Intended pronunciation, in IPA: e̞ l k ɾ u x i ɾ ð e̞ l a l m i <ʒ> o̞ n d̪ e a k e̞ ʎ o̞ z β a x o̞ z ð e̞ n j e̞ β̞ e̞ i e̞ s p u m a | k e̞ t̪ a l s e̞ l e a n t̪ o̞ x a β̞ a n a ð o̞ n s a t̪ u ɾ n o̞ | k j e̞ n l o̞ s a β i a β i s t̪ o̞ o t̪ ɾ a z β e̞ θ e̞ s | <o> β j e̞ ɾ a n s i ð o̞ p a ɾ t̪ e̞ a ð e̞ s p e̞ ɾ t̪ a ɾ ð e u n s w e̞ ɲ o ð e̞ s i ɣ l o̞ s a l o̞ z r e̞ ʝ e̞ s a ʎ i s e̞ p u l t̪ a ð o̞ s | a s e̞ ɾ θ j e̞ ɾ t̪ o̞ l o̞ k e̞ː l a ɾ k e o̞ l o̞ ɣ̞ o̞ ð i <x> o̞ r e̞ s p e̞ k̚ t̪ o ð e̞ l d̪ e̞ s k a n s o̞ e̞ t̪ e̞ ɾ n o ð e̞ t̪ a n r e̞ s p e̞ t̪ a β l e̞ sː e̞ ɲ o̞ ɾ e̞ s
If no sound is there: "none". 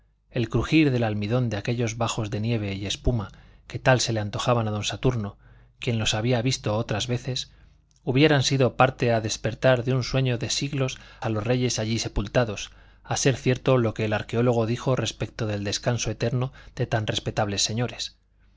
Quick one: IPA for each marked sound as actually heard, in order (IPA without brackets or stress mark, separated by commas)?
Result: ð, u, x